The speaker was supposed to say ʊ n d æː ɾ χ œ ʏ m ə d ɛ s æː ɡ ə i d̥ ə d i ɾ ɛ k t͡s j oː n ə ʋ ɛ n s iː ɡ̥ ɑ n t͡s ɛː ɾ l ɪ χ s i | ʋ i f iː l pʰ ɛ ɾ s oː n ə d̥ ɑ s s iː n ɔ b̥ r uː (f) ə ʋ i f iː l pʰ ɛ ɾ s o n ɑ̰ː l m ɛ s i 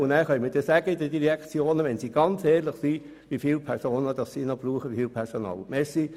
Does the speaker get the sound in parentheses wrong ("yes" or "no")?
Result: yes